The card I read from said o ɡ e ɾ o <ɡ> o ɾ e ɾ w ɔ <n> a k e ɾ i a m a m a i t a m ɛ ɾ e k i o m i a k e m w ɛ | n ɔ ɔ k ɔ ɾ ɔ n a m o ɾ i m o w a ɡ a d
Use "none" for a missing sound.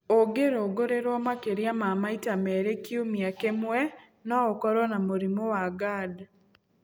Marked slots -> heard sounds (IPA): ɡ, m

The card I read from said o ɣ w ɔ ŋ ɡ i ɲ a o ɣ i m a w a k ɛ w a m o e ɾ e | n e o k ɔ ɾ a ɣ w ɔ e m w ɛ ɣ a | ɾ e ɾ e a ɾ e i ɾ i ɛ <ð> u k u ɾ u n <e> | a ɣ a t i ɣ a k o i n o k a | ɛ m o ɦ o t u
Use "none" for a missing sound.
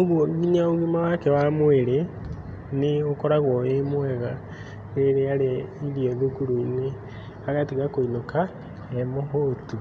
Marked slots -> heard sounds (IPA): ð, e

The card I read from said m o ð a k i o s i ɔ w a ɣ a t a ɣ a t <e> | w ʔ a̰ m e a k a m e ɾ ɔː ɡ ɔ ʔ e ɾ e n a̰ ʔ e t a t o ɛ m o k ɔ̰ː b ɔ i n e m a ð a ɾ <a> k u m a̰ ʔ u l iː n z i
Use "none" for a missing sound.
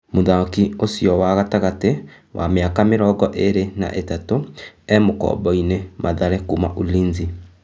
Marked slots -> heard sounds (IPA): e, ɛ

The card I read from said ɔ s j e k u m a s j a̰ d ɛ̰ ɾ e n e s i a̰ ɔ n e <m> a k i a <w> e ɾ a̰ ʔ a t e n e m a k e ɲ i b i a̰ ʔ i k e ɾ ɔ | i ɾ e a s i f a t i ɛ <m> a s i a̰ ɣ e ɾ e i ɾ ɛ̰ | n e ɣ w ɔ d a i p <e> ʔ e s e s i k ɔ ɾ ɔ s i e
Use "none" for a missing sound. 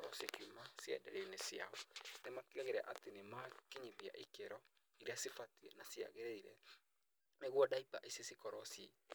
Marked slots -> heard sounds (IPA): m, ɣ, n, a

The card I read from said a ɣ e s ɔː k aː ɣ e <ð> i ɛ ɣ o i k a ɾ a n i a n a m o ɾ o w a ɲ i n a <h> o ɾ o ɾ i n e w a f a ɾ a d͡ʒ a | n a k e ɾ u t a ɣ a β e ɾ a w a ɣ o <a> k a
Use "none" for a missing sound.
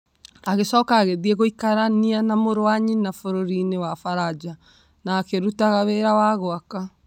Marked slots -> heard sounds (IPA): ð, f, a

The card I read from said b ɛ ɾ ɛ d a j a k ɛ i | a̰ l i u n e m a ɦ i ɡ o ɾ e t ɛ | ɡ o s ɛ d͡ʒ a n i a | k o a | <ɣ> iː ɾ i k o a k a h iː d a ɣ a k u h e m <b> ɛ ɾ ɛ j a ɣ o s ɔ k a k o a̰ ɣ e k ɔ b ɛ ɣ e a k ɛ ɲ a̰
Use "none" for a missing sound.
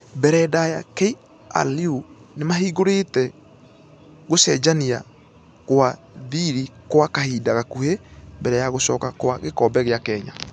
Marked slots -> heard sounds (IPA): ð, b

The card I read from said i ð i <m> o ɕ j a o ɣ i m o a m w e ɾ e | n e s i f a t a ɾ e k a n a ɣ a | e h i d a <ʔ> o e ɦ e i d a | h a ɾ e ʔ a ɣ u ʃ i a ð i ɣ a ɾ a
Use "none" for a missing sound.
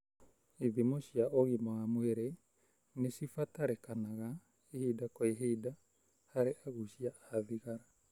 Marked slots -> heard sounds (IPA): m, k

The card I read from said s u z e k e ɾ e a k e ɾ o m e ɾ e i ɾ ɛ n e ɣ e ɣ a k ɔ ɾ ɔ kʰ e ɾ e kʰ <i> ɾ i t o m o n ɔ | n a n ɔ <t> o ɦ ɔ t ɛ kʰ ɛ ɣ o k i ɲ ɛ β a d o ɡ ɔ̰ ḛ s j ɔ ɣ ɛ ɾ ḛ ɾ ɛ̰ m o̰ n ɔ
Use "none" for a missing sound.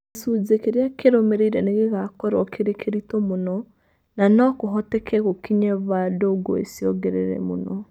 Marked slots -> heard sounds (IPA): e, k

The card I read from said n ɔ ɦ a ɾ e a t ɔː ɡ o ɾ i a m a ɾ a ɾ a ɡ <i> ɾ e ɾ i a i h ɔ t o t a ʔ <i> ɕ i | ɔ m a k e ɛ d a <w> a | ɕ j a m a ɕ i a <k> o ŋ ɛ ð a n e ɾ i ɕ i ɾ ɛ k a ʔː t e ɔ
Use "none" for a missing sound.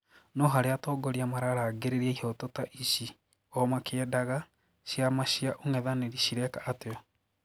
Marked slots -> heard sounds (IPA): e, i, ɣ, ʔ

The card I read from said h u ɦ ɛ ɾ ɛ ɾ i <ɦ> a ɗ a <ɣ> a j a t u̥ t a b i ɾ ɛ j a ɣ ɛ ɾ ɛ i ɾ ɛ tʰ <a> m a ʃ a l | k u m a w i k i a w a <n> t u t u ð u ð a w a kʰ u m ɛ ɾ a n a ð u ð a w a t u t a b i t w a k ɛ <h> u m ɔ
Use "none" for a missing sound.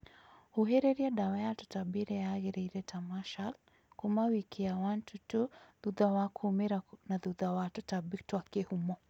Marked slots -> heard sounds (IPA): none, w, a, n, h

